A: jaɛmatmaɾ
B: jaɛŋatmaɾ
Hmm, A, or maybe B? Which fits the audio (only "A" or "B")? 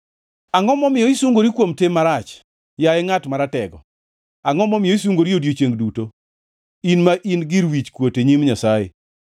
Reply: B